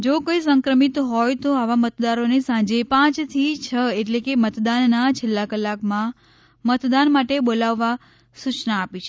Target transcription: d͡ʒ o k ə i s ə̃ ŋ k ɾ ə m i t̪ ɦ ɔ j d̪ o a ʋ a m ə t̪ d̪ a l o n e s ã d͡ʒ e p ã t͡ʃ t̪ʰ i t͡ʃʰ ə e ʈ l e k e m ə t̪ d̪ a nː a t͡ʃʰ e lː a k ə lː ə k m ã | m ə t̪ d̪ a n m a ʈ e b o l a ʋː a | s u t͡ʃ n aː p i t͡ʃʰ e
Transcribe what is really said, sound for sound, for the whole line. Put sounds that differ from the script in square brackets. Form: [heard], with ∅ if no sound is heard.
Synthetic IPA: d͡ʒ o k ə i s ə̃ ŋ k ɾ ə m i t̪ ɦ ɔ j [t̪] o a ʋ a m ə t̪ d̪ a [ɾ] o n e s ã d͡ʒ e p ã t͡ʃ t̪ʰ i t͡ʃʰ ə e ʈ l e k e m ə t̪ d̪ a nː a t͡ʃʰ e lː a k ə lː [a] k m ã | m ə t̪ d̪ a n m a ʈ e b o l a ʋː a | s u t͡ʃ n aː p i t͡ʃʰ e